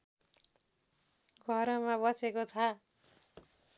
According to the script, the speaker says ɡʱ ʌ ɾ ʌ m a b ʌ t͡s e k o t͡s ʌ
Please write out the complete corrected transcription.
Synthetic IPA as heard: ɡʱ ʌ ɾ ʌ m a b ʌ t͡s e k o t͡sʰ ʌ